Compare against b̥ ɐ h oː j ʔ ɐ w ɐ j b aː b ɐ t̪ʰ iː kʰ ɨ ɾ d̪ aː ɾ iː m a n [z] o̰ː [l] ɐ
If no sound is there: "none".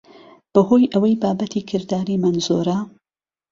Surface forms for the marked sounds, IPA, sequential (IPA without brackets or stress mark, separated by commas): z, ɾ